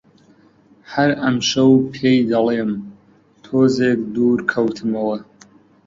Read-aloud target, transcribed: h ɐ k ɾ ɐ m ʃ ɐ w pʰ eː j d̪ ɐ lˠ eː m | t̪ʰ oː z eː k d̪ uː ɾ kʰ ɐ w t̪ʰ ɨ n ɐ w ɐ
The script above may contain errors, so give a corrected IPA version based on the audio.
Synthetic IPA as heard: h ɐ ɾ ɐ m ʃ ɐ w pʰ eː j d̪ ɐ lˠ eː m | t̪ʰ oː z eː k d̪ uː ɾ kʰ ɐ w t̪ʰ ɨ m ɐ w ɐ

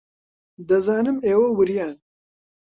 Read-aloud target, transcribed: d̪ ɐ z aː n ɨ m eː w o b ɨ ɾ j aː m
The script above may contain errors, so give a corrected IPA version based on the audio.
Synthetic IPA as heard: d̪ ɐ z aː n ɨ m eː w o w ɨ ɾ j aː n

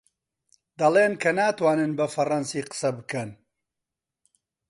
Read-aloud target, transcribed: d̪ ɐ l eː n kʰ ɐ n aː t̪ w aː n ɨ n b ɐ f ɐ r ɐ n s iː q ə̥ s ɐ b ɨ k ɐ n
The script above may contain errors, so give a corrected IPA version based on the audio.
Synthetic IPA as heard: d̪ ɐ l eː n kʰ ɐ n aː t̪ w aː n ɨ n b ɐ f ɐ r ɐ n s iː q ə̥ s ɐ b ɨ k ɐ n

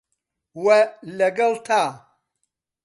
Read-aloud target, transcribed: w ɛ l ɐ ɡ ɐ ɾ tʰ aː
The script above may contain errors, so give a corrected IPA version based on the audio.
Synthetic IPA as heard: w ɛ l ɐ ɡ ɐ l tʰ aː

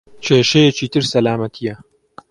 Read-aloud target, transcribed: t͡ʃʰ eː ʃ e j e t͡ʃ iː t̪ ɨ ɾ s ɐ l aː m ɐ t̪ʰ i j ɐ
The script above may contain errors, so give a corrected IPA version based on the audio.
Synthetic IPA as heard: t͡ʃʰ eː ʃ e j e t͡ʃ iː t̪ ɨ ɾ s ɐ l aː m ɐ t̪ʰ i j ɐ

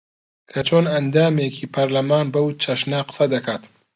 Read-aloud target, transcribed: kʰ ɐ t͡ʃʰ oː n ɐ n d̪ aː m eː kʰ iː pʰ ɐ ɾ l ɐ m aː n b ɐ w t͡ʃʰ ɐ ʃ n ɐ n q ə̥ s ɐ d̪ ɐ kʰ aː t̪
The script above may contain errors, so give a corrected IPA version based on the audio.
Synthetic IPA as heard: kʰ ɐ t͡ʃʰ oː n ɐ n d̪ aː m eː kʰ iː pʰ ɐ ɾ l ɐ m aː n b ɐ w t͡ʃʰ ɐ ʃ n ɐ q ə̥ s ɐ d̪ ɐ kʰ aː t̪

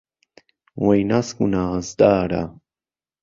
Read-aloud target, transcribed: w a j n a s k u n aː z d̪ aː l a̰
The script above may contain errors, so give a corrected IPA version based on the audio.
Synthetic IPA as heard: w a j n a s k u n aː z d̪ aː ɾ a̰

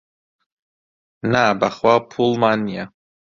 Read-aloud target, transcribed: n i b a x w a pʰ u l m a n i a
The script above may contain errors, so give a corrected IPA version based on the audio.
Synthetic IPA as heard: n a b a χ w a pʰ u l m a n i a

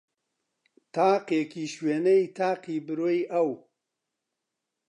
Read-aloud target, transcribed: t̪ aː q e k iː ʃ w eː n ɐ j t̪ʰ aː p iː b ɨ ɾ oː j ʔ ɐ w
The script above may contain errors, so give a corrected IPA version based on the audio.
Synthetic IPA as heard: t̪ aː q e k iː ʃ w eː n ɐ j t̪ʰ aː q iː b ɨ ɾ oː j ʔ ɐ w

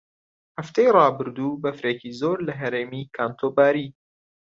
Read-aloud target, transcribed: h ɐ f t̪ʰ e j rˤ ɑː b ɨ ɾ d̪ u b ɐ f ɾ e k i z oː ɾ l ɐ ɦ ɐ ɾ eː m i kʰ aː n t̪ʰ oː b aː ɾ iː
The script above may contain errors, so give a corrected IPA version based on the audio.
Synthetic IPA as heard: h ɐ f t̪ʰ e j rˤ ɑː b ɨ ɾ d̪ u b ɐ f ɾ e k i z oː ɾ l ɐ ɦ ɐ ɾ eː m i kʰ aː n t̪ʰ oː b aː ɾ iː

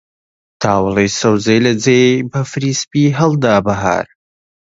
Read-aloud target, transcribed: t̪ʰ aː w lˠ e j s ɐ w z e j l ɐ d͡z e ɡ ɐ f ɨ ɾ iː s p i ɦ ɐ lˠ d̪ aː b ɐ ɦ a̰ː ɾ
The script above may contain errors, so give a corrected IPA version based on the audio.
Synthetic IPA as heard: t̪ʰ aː w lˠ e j s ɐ w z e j l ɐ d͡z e b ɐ f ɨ ɾ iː s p i ɦ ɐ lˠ d̪ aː b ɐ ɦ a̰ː ɾ

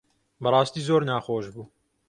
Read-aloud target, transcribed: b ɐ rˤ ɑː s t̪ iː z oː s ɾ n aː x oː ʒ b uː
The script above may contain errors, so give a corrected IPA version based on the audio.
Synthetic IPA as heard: b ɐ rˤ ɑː s t̪ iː z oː ɾ n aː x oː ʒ b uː

